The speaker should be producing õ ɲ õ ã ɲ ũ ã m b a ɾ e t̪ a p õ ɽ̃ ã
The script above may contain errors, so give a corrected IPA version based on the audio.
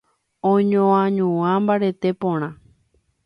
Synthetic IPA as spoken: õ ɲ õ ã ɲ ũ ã m b a ɾ e t̪ e p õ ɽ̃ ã

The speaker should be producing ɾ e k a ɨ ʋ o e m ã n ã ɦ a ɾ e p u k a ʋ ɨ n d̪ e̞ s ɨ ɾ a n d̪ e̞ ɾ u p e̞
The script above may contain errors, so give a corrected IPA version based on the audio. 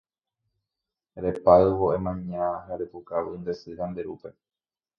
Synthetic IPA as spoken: ɾ e p a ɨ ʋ o e m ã ɲ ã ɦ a ɾ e p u k a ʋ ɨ n d̪ e̞ s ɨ ɾ a n d̪ e̞ ɾ u p e̞

